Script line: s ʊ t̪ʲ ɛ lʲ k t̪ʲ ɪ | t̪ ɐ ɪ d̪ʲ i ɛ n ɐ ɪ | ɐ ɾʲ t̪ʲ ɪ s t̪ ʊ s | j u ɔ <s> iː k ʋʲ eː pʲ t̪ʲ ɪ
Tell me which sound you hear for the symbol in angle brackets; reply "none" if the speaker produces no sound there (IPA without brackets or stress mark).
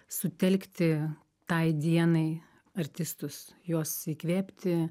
s